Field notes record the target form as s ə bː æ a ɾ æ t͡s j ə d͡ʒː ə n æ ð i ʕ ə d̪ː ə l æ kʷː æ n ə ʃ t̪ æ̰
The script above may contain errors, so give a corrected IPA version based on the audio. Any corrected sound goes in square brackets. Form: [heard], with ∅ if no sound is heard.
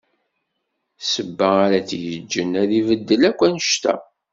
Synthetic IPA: s ə bː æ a ɾ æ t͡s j ə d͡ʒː ə n æ ð i [v] ə d̪ː ə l æ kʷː æ n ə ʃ t̪ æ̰